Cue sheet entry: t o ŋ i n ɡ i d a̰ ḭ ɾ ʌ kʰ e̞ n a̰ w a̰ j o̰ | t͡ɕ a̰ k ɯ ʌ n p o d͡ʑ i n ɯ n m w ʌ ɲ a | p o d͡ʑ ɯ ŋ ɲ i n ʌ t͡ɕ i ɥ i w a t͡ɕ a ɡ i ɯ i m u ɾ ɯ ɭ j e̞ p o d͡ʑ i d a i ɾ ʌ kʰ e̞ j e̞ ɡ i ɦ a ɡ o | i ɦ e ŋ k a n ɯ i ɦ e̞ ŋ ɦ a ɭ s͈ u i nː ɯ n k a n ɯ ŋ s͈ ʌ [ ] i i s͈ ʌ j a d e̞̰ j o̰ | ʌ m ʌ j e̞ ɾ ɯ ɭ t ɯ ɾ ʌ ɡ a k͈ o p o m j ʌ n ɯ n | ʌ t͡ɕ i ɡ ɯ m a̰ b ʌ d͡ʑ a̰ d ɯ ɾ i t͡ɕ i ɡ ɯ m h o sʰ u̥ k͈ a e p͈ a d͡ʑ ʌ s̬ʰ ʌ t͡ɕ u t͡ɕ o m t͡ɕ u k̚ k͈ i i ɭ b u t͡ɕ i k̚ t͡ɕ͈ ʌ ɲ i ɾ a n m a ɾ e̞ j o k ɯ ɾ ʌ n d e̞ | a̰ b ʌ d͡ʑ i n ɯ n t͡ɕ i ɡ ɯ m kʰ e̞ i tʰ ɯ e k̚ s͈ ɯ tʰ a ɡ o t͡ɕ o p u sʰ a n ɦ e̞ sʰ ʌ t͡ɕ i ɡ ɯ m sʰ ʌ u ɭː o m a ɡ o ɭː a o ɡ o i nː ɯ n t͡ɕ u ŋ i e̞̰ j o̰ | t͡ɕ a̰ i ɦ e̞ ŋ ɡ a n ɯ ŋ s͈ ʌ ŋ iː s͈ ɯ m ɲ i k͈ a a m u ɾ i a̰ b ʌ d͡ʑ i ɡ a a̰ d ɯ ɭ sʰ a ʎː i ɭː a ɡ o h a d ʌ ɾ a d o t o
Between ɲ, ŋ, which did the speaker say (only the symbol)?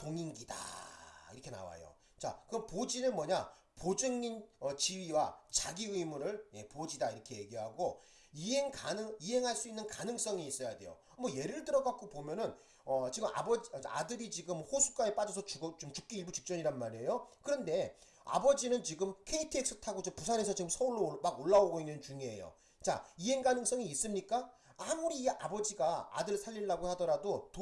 ŋ